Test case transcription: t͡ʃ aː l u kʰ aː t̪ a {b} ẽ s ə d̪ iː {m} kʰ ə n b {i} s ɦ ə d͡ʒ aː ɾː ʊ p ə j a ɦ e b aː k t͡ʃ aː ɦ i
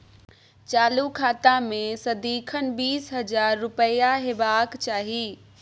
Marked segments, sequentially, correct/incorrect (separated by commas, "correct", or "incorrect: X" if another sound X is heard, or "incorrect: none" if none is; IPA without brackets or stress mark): incorrect: m, incorrect: none, incorrect: iː